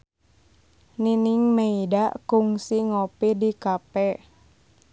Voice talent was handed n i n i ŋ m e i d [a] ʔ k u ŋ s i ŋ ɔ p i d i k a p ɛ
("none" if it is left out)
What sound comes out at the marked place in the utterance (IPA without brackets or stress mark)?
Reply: a